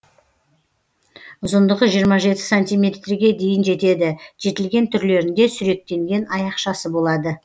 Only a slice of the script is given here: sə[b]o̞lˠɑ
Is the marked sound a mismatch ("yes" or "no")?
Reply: no